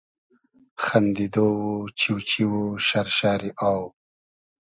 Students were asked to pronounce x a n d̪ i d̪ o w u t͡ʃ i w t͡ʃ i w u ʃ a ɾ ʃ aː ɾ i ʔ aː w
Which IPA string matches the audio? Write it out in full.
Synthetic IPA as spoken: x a n d̪ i d̪ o w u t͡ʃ i w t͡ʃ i w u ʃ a ɾ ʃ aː ɾ i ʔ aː w

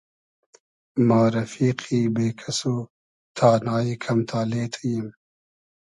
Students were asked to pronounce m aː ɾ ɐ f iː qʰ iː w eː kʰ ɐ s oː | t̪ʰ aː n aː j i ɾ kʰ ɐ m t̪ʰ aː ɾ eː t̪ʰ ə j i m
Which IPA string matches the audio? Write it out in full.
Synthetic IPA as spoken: m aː ɾ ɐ f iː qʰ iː b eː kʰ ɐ s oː | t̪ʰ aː n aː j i kʰ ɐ m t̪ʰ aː l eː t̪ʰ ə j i m

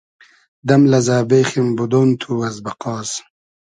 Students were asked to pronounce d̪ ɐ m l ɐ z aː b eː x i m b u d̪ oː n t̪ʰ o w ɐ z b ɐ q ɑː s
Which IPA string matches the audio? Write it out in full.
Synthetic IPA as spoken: d̪ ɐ m l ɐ z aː b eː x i m b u d̪ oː n t̪ʰ u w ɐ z b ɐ q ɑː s

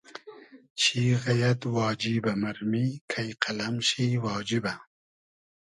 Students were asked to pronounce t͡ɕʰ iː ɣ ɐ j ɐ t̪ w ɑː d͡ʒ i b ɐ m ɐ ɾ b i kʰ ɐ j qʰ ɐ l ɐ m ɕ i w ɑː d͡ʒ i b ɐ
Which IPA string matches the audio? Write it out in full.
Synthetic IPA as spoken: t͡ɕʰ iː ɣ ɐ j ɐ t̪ w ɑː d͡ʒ i b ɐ m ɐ ɾ m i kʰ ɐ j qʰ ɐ l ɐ m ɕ i w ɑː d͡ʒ i b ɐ

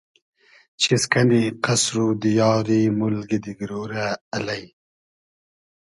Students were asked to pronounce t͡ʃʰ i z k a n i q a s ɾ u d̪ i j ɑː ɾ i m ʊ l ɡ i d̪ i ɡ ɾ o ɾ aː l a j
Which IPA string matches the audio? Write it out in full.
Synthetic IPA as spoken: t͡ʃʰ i s k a n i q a s ɾ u d̪ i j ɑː ɾ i m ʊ l ɡ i d̪ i ɡ ɾ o ɾ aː l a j

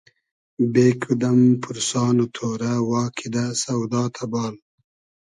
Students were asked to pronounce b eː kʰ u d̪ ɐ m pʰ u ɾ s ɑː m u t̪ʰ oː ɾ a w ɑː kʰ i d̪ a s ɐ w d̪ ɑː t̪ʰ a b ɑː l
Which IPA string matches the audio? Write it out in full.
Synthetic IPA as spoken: b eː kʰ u d̪ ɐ m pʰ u ɾ s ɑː n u t̪ʰ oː ɾ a w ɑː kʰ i d̪ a s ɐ w d̪ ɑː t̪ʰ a b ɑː l

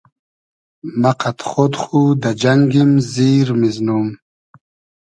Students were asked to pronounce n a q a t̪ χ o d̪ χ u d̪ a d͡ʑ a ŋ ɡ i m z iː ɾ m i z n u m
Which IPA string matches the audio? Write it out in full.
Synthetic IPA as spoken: m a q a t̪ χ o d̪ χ u d̪ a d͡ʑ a ŋ ɡ i m z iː ɾ m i z n u m

